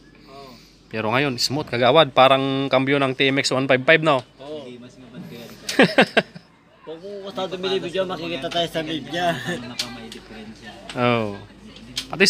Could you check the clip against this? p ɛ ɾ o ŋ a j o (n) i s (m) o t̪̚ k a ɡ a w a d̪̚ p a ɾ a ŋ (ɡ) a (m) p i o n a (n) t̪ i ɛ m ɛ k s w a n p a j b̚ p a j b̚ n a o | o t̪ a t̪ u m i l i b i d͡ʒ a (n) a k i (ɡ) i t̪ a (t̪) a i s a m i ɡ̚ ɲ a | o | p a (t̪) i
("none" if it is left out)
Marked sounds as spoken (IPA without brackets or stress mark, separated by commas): n, m, k, m, ŋ, m, k, t̪, t̪